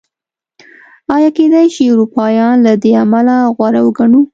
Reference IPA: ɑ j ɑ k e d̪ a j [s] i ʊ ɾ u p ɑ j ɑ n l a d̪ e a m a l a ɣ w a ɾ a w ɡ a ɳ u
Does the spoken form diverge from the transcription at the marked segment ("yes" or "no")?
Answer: yes